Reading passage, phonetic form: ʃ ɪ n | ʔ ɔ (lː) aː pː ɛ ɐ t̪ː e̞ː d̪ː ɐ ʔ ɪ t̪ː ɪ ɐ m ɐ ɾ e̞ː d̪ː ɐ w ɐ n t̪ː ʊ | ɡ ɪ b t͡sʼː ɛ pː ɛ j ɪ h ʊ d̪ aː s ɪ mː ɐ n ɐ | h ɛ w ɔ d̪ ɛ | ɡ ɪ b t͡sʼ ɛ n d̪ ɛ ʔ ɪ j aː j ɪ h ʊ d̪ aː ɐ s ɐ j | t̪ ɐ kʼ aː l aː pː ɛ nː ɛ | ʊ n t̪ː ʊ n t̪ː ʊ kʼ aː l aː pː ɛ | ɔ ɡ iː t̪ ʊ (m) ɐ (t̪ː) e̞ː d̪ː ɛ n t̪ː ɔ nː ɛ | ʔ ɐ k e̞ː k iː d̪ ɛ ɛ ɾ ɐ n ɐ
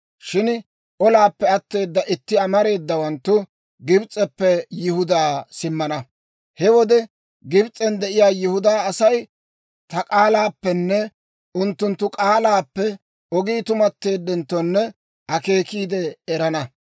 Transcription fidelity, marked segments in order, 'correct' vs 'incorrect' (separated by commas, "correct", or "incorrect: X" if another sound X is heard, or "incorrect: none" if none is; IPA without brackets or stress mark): incorrect: l, correct, correct